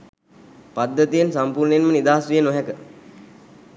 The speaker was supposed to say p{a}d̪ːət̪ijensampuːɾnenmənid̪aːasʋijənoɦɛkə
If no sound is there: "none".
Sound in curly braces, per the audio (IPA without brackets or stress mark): a